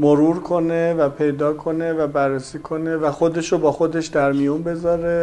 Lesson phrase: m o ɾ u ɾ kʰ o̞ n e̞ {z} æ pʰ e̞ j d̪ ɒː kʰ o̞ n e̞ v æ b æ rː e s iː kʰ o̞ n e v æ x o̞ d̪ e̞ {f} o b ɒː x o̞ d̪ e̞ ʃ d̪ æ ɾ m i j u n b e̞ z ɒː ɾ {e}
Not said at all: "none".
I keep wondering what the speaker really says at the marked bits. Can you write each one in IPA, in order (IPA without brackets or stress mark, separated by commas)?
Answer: v, ʃ, e